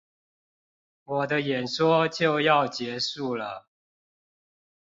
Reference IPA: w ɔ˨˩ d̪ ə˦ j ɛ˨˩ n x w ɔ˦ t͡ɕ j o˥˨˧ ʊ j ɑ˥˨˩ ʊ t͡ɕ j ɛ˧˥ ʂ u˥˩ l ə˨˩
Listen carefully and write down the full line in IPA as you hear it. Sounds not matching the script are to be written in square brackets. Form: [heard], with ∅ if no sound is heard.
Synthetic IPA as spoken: w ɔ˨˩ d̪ ə˦ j ɛ˨˩ n [ʂ] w ɔ˦ t͡ɕ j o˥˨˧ ʊ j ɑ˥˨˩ ʊ t͡ɕ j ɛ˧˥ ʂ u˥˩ l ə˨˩